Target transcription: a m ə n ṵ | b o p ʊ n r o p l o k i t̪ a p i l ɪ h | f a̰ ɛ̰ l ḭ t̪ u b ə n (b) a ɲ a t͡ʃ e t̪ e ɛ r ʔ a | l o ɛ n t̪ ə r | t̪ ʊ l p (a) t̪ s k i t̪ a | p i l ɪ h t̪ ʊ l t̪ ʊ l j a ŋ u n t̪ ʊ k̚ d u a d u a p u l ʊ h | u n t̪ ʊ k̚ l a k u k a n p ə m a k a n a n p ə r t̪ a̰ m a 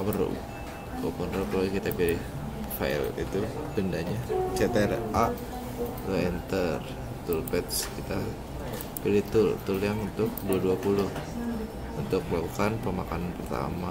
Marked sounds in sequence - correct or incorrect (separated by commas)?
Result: incorrect, incorrect